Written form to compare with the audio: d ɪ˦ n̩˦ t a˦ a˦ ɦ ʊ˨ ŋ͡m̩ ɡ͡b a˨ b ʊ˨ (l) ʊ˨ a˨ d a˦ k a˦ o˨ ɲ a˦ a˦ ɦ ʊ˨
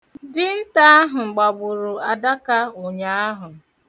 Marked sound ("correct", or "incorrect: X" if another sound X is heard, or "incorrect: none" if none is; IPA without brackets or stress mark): incorrect: ɾ